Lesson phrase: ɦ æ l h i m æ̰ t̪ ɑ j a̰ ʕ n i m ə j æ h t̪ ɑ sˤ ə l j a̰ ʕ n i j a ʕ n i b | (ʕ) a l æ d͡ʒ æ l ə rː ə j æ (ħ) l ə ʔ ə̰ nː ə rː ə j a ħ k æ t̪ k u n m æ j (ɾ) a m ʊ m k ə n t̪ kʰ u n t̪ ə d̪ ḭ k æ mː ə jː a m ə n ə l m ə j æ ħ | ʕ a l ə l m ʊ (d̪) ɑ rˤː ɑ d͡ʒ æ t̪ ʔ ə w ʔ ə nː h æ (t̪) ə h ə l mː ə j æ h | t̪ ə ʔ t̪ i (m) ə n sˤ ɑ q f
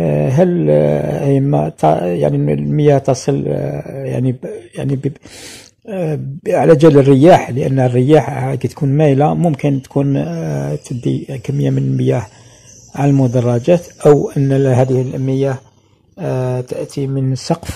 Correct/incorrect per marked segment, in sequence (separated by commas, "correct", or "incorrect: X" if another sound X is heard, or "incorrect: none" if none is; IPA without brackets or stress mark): correct, correct, incorrect: l, correct, incorrect: d̪, correct